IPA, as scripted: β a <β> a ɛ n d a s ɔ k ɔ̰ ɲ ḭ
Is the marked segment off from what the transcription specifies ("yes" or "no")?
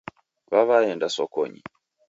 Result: no